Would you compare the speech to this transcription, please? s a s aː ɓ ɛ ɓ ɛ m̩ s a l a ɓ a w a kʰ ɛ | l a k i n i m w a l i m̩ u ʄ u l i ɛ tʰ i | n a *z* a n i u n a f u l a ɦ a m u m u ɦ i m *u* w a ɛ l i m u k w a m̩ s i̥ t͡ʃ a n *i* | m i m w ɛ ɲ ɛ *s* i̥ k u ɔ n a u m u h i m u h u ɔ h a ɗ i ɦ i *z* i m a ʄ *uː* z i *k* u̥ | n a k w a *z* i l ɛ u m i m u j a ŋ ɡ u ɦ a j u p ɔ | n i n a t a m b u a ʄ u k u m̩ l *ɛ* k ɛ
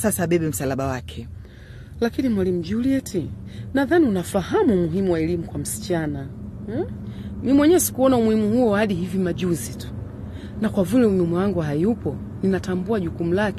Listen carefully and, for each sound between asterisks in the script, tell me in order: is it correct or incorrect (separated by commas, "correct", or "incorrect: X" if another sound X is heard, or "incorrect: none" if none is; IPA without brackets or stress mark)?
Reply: incorrect: ð, correct, incorrect: a, correct, incorrect: v, incorrect: u, incorrect: t, incorrect: v, incorrect: a